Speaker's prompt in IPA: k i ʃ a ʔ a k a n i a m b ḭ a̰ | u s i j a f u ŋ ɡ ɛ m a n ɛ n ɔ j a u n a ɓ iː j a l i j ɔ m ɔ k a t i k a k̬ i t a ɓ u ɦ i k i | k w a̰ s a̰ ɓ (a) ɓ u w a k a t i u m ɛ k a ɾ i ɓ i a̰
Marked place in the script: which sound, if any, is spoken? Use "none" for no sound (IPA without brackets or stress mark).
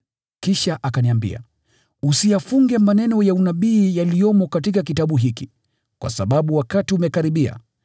a